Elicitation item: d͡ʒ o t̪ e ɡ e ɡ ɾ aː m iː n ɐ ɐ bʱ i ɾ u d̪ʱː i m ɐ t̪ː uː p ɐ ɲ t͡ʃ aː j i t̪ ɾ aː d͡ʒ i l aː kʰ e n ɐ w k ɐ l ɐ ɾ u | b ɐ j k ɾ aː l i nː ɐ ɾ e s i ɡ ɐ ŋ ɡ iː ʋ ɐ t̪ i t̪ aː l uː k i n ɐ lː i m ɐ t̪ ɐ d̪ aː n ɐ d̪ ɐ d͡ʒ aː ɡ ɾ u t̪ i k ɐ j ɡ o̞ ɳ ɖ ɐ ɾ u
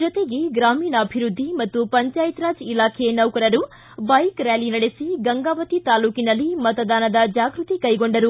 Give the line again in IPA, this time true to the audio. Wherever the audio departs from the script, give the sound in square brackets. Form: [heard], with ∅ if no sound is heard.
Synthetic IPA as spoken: d͡ʒ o t̪ e ɡ e ɡ ɾ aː m iː n ɐ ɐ bʱ i ɾ u d̪ʱː i m ɐ t̪ː [u] p ɐ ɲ t͡ʃ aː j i t̪ ɾ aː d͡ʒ i l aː kʰ e n ɐ w k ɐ [ɾ] ɐ ɾ u | b ɐ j k ɾ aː l i [n] ɐ [ɽ] e s i ɡ ɐ ŋ ɡ [aː] ʋ ɐ t̪ i t̪ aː l uː k i n ɐ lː i m ɐ t̪ ɐ d̪ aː n ɐ d̪ ɐ d͡ʒ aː ɡ ɾ u t̪ i k ɐ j ɡ o̞ ɳ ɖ ɐ ɾ u